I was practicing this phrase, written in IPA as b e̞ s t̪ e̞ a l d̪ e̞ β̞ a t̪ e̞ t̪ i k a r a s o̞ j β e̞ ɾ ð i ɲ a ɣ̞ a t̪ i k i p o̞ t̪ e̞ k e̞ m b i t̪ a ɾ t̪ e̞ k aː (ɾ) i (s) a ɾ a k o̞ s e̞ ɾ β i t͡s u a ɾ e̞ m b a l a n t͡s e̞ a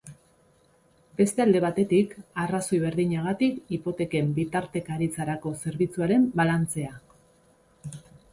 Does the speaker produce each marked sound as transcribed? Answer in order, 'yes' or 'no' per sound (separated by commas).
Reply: yes, no